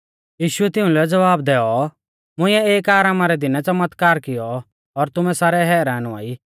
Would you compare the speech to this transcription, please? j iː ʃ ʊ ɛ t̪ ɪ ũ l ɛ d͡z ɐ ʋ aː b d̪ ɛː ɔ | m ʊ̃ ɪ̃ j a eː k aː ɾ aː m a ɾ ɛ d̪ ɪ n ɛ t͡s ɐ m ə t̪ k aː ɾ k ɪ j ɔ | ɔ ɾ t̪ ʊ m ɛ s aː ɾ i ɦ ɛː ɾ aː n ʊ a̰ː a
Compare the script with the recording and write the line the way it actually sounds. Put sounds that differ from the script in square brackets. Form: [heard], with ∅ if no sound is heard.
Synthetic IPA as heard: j iː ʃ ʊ ɛ t̪ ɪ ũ l ɛ d͡z ɐ ʋ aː b d̪ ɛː ɔ | m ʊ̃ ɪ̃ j [ɛ] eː k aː ɾ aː m a ɾ ɛ d̪ ɪ n ɛ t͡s ɐ m ə t̪ k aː ɾ k ɪ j ɔ | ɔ ɾ t̪ ʊ m ɛ s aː ɾ [ɛ] ɦ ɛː ɾ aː n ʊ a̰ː [i]